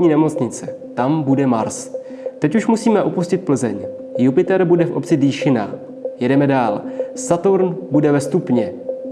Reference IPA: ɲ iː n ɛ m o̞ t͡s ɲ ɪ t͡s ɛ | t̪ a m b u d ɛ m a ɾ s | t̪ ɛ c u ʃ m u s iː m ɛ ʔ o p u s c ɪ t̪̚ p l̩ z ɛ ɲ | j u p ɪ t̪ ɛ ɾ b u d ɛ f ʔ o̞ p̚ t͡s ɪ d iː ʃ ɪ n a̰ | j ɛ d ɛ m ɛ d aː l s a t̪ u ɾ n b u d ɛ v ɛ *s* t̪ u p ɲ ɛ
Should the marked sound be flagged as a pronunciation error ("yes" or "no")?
no